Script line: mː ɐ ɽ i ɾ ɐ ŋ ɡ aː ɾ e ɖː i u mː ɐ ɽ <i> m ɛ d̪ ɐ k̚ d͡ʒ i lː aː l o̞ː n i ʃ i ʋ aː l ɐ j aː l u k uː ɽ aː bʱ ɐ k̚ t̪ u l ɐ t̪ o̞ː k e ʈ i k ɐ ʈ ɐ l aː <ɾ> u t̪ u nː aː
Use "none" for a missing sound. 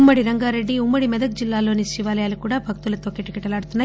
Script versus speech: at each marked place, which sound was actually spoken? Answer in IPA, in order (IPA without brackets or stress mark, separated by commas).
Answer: i, ɽ